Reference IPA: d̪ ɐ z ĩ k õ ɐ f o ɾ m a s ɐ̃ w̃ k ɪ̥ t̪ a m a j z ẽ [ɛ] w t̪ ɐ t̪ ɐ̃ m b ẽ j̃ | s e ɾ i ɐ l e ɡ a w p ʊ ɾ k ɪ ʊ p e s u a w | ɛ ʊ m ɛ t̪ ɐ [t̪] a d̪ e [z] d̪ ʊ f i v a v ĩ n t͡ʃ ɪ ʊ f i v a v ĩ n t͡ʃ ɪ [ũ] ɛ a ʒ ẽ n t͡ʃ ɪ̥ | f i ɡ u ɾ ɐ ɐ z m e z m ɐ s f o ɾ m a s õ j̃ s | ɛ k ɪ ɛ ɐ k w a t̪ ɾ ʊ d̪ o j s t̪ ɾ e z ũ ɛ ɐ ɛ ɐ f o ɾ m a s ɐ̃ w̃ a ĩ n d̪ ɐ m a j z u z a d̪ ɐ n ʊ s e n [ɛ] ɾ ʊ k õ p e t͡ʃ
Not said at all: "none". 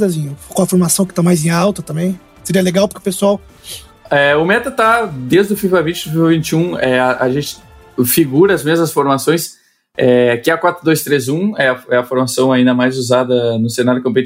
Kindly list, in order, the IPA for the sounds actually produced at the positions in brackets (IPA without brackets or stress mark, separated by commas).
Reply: a, t̪, z, ũ, a